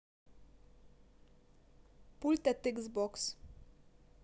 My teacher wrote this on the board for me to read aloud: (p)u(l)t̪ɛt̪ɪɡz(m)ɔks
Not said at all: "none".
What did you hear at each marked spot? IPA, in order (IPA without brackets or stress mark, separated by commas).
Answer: p, l, b